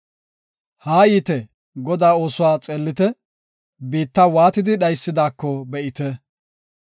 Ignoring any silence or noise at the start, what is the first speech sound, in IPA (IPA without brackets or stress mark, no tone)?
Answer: h